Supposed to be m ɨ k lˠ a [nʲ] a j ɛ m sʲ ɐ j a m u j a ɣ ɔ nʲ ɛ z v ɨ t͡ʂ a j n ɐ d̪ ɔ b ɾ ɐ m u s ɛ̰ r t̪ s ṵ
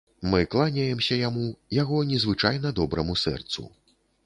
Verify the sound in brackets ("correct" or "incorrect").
correct